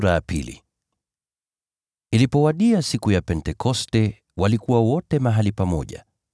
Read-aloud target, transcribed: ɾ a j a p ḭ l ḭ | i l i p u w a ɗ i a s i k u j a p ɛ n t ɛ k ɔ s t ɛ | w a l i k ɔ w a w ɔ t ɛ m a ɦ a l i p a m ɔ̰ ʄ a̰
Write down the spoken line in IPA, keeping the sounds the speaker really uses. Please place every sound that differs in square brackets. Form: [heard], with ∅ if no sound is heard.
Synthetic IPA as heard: ɾ a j a p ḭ l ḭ | i l i p [ɔ] w a ɗ i a s i k u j a p ɛ n t ɛ k ɔ s t ɛ | w a l i k [u] w a w ɔ t ɛ m a ɦ a l i p a m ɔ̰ ʄ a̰

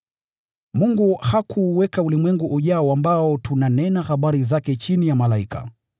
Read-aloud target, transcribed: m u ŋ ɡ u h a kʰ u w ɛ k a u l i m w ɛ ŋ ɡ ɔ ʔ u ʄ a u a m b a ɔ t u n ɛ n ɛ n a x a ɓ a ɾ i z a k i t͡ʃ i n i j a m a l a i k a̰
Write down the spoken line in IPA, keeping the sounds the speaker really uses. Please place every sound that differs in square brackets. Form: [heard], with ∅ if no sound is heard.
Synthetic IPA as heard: m u ŋ ɡ u h a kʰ u w ɛ k a u l i m w ɛ ŋ ɡ [u] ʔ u ʄ a [ɔ] a m b a ɔ t u n [a] n ɛ n a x a ɓ a ɾ i z a k [ɛ] t͡ʃ i n i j a m a l a i k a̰

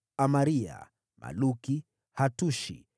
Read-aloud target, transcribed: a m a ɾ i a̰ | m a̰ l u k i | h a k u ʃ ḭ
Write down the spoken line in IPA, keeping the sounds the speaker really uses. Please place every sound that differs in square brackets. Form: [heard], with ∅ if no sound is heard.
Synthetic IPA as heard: a m a ɾ i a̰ | m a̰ l u k i | h a [t] u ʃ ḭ

